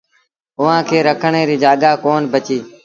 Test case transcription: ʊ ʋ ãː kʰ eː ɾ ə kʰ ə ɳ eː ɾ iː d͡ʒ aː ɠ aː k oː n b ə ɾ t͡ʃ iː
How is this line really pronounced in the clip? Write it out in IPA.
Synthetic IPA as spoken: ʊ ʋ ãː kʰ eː ɾ ə kʰ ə ɳ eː ɾ iː d͡ʒ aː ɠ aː k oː n b ə t͡ʃ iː

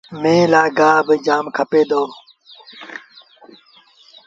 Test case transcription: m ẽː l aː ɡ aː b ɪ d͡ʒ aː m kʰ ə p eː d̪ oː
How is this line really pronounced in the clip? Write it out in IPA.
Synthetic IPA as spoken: m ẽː l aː ɡ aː b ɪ d͡ʒ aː m kʰ ə p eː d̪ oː

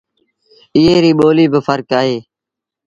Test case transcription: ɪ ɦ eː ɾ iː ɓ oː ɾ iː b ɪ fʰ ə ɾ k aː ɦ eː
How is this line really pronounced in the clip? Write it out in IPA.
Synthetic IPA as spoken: ɪ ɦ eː ɾ iː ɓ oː l iː b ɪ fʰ ə ɾ k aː ɦ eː

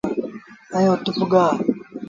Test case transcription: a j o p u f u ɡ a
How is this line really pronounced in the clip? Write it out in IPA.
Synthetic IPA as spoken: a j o t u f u ɡ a

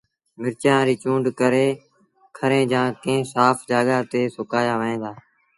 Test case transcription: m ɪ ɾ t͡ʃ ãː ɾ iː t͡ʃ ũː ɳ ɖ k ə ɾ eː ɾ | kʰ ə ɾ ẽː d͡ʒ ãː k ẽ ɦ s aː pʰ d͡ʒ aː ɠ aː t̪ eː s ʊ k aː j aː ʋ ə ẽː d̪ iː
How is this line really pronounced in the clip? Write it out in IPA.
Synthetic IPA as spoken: m ɪ ɾ t͡ʃ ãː ɾ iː t͡ʃ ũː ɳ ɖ k ə ɾ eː | kʰ ə ɾ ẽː d͡ʒ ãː k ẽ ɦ s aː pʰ d͡ʒ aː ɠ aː t̪ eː s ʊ k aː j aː ʋ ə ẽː d̪ aː

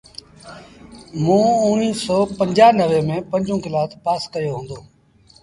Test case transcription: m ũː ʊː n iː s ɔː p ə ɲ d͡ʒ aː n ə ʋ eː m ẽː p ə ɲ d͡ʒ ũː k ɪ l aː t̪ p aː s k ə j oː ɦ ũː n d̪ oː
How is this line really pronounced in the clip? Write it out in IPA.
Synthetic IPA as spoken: m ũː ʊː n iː s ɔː p ə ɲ d͡ʒ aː n ə ʋ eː m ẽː p ə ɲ d͡ʒ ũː k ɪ l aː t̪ p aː s k ə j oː ɦ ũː n d̪ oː

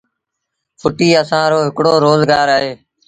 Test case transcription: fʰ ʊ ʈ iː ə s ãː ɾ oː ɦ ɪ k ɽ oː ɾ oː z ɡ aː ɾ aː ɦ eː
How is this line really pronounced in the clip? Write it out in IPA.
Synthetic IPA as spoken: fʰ ʊ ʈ iː ə s ãː ɾ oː ɦ ɪ k ɽ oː ɾ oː z ɡ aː ɾ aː ɦ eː

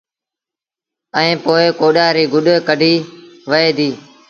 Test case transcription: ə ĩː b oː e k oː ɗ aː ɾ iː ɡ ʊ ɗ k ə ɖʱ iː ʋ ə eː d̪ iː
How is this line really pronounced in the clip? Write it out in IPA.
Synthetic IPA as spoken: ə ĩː p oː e k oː ɗ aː ɾ iː ɡ ʊ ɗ k ə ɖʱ iː ʋ ə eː d̪ iː

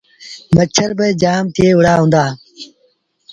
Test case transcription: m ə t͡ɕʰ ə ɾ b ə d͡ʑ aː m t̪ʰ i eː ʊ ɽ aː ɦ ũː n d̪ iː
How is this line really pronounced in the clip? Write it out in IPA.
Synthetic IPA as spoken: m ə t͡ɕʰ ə ɾ b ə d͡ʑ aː m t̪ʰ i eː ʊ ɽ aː ɦ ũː n d̪ aː

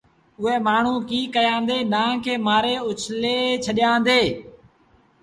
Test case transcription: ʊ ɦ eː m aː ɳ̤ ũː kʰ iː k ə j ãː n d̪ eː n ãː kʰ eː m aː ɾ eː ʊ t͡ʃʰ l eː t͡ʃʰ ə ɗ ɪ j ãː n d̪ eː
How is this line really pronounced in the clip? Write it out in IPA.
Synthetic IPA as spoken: ʊ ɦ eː m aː ɳ̤ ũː k iː k ə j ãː n d̪ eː n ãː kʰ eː m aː ɾ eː ʊ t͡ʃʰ l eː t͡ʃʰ ə ɗ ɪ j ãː n d̪ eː

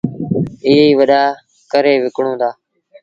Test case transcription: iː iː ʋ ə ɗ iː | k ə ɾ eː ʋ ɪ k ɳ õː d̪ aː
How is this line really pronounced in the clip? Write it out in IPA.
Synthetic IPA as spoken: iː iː ʋ ə ɗ aː | k ə ɾ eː ʋ ɪ k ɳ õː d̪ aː

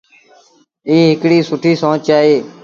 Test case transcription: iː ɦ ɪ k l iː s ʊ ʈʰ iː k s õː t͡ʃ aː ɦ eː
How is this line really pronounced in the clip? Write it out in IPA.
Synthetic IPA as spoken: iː ɦ ɪ k ɽ iː s ʊ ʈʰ iː s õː t͡ʃ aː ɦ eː

